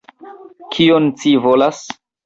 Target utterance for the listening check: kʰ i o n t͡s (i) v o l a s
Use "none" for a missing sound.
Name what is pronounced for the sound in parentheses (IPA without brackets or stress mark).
i